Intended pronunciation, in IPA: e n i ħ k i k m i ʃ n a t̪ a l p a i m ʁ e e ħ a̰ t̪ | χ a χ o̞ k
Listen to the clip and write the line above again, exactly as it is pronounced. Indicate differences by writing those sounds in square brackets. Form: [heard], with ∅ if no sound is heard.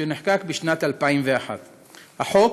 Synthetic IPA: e n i ħ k [a] k [b] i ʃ n a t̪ a l p a i m [v] e [a] ħ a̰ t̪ | [h] a [ħ] o̞ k